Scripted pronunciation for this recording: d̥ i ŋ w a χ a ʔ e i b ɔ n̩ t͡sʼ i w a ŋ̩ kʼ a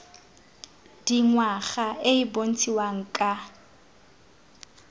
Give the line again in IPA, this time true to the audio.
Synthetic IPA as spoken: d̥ i ŋ w a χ a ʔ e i b o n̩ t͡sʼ i w a ŋ̩ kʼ a